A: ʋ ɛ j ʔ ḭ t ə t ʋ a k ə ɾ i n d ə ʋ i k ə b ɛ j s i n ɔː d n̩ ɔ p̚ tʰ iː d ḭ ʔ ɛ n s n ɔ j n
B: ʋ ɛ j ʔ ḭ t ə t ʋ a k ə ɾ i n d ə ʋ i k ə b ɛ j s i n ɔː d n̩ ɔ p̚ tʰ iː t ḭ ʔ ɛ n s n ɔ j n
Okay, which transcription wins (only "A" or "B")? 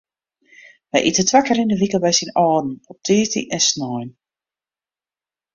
B